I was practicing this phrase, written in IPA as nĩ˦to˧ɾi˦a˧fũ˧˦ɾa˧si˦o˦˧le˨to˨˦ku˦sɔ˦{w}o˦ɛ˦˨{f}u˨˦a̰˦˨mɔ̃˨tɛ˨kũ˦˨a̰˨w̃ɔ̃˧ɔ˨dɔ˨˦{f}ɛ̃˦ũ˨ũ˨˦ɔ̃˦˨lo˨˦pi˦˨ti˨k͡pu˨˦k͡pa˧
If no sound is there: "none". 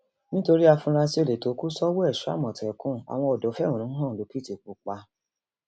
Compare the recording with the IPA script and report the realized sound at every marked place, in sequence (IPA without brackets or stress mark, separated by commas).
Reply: w, ʃ, f